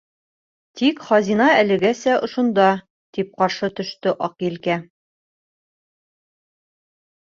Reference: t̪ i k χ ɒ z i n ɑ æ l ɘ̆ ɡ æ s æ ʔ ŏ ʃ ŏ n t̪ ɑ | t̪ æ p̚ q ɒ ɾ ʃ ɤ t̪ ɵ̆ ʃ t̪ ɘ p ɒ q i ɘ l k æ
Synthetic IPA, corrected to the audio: t̪ i k χ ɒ z i n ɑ æ l ɘ̆ ɡ æ s æ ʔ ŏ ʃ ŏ n d̪ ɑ | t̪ i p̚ q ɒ ɾ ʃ ɤ t̪ ɵ̆ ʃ t̪ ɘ ʔ ɒ q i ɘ l k æ